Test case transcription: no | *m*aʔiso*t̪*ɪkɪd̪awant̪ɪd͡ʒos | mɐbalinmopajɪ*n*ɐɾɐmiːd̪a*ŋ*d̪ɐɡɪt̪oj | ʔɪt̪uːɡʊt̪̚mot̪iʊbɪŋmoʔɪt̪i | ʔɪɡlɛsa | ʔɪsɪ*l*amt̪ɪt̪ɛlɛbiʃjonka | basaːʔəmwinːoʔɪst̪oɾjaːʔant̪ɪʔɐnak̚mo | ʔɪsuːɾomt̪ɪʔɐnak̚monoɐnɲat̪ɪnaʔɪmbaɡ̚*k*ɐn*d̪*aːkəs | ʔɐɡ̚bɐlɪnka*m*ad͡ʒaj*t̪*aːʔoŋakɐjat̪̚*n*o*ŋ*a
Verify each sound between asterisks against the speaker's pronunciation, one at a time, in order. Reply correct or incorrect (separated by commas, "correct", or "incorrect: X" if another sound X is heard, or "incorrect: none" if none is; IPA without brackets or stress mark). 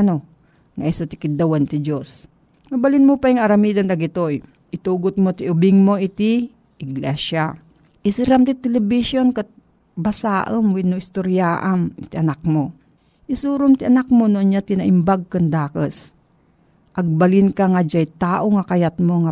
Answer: incorrect: ŋ, correct, incorrect: ŋ, incorrect: n, incorrect: ɾ, correct, correct, incorrect: ŋ, correct, incorrect: m, correct